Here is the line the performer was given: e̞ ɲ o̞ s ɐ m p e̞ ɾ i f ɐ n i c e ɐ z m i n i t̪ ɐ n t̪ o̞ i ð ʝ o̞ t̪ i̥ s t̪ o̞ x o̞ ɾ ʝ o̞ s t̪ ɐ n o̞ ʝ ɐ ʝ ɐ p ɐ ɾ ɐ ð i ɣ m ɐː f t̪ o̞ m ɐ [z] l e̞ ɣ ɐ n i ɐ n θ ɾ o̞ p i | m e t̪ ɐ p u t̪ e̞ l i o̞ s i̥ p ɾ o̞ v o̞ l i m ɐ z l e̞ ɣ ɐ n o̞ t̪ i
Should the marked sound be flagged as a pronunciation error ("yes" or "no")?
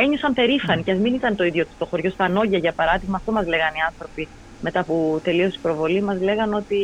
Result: no